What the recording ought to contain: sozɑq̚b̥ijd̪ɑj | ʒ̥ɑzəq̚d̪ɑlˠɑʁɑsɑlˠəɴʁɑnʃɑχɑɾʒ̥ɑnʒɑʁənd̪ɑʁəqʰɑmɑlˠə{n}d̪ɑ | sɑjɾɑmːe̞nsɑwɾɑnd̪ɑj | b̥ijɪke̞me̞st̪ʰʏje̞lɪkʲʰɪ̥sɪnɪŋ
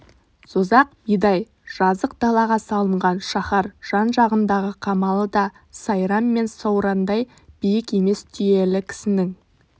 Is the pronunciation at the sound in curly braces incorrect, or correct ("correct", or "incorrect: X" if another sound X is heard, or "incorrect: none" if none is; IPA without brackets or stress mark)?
incorrect: none